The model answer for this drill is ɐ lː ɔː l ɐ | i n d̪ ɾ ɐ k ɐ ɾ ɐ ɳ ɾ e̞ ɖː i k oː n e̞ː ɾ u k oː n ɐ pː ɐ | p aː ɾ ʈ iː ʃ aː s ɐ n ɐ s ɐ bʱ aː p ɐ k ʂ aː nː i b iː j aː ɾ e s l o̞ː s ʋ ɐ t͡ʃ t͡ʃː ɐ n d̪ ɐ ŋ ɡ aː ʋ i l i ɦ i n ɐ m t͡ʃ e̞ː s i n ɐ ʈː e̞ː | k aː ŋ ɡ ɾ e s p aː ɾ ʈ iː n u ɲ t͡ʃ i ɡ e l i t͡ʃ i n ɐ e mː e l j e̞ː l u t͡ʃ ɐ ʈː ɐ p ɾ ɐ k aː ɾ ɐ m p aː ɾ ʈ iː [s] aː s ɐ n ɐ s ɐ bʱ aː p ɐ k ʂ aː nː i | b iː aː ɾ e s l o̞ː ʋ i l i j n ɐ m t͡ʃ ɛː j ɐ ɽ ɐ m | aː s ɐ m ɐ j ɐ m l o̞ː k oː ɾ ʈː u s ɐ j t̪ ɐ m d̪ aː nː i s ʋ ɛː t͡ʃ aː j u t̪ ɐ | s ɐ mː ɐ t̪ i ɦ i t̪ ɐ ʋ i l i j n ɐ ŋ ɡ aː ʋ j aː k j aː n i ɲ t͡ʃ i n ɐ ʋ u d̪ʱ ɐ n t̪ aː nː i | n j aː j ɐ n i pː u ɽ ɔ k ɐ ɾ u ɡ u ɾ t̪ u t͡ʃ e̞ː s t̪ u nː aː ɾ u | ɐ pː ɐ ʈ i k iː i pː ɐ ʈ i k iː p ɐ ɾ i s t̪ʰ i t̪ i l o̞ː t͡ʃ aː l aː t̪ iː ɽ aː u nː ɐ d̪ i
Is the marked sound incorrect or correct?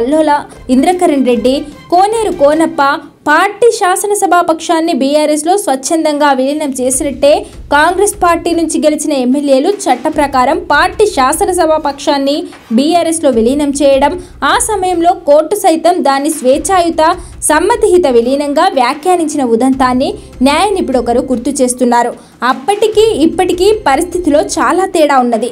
incorrect: ʃ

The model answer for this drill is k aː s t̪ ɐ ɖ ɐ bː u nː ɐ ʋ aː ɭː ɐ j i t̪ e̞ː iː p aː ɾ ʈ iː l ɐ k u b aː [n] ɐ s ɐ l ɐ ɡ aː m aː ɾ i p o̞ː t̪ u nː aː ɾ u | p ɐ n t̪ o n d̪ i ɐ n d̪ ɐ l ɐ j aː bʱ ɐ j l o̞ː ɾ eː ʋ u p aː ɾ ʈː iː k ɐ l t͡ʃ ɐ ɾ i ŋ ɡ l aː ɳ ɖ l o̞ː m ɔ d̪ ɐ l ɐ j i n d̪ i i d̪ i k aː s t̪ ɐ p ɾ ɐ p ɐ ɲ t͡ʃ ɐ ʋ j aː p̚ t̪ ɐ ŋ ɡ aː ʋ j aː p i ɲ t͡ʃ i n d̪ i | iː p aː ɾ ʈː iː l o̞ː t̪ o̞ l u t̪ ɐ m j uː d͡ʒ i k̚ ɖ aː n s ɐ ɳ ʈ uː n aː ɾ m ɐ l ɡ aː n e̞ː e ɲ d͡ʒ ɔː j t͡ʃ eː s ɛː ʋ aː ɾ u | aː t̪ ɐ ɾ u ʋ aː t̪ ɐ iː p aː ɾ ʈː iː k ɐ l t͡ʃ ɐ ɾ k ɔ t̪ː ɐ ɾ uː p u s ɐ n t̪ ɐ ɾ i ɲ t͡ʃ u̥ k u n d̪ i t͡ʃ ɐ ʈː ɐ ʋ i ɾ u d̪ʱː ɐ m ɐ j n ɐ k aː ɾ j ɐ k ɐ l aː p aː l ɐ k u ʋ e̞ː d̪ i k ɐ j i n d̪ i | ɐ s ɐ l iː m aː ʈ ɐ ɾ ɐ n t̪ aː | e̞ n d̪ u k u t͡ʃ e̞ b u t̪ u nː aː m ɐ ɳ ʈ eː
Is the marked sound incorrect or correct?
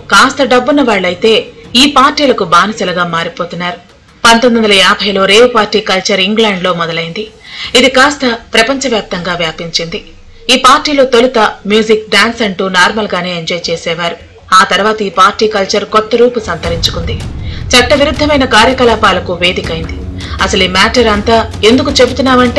correct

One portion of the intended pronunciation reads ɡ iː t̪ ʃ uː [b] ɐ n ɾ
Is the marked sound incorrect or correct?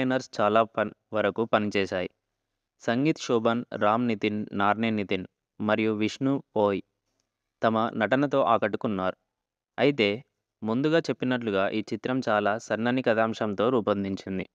correct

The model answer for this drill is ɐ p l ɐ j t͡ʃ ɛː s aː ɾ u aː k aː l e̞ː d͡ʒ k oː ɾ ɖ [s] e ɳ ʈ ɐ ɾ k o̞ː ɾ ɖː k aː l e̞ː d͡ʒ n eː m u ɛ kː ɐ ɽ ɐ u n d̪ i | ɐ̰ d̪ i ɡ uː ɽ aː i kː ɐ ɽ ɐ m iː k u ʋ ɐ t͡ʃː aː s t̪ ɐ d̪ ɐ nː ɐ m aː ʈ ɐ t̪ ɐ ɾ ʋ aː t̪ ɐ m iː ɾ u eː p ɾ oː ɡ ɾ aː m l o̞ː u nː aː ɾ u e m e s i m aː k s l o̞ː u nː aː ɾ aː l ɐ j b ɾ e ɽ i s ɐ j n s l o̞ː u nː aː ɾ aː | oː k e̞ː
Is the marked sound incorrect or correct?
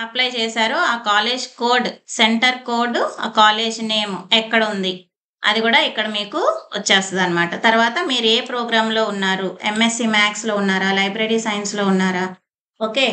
correct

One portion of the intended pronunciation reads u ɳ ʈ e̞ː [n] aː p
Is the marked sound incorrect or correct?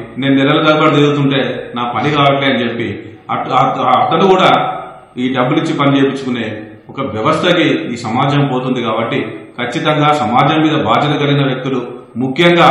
correct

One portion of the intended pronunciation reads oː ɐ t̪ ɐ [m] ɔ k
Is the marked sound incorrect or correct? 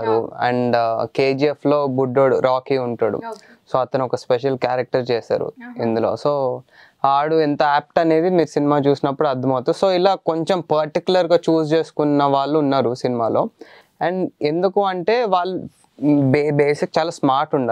incorrect: n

